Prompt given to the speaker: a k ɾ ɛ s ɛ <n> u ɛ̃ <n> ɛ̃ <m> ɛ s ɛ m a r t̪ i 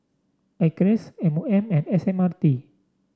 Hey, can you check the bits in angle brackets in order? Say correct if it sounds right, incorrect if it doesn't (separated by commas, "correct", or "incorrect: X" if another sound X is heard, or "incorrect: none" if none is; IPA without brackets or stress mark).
incorrect: m, incorrect: m, incorrect: n